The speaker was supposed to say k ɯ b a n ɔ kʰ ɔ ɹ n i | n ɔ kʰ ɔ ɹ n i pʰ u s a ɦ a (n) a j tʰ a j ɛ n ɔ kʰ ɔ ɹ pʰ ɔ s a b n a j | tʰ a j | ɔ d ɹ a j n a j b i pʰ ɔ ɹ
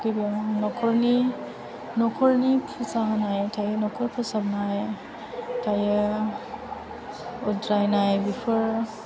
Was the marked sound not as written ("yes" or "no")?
no